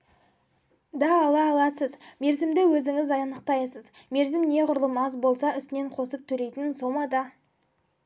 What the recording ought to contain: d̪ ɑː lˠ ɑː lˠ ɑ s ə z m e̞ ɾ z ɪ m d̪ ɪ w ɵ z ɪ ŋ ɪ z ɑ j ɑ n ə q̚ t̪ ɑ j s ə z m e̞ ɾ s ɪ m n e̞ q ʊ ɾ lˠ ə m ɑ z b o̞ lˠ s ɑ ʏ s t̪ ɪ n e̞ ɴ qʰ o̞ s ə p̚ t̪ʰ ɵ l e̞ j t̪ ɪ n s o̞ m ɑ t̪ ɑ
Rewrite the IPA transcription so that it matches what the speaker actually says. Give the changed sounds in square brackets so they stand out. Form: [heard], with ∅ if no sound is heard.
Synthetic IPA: d̪ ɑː lˠ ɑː lˠ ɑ s ə z m e̞ ɾ z ɪ m d̪ ɪ w ɵ z ɪ ŋ ɪ z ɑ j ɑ n ə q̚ t̪ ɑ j s ə z m e̞ ɾ [z] ɪ m n e̞ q ʊ ɾ lˠ ə m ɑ z b o̞ lˠ s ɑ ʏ s t̪ ɪ n e̞ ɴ qʰ o̞ s ə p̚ t̪ʰ ɵ l e̞ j t̪ ɪ n s o̞ m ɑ [d̪] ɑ